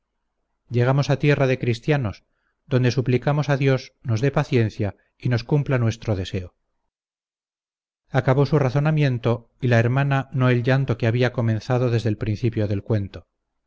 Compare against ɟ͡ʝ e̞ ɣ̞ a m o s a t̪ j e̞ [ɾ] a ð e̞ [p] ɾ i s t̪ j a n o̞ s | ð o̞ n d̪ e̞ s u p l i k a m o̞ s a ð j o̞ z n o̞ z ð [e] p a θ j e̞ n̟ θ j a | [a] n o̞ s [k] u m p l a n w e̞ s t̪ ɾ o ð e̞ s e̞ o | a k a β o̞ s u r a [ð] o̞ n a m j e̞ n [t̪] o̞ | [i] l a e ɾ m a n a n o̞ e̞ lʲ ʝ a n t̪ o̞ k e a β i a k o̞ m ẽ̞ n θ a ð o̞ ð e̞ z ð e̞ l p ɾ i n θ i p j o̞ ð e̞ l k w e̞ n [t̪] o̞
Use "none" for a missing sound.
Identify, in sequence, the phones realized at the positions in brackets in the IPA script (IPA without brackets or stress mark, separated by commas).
r, k, e, i, k, θ, t̪, i, t̪